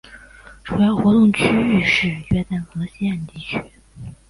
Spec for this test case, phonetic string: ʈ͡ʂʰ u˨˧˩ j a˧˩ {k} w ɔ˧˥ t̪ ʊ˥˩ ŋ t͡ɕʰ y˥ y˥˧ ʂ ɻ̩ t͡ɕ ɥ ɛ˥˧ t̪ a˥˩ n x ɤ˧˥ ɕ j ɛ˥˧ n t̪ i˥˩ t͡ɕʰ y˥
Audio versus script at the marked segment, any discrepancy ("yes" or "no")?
yes